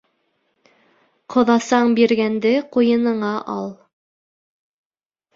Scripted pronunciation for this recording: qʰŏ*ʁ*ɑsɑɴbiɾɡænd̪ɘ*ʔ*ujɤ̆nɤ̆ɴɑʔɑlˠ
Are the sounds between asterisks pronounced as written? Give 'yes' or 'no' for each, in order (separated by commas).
no, no